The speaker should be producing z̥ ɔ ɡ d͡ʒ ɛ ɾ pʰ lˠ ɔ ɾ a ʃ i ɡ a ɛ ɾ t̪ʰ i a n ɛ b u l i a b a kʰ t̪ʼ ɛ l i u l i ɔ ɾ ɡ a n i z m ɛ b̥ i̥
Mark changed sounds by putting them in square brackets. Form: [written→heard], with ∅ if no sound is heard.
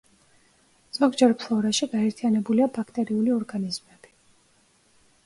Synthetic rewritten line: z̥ ɔ ɡ d͡ʒ ɛ ɾ pʰ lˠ ɔ ɾ a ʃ i ɡ a ɛ ɾ t̪ʰ i a n ɛ b u l i a b a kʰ t̪ʼ ɛ [l→ɾ] i u l i ɔ ɾ ɡ a n i z m ɛ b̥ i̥